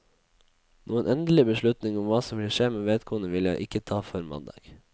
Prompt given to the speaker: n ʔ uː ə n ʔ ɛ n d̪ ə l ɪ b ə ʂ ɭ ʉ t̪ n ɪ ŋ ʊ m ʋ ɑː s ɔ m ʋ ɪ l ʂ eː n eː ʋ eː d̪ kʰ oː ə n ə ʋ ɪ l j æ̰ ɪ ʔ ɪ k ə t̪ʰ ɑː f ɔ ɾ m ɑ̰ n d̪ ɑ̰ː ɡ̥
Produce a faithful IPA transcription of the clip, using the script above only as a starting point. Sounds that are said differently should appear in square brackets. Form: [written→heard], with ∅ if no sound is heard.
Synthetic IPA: n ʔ uː ə n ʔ ɛ n d̪ ə l ɪ b ə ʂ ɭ ʉ t̪ n ɪ ŋ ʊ m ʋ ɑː s ɔ m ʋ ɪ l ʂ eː [n→m] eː ʋ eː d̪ kʰ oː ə n ə ʋ ɪ l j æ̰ ɪ ʔ ɪ k ə t̪ʰ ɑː f ɔ ɾ m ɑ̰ n d̪ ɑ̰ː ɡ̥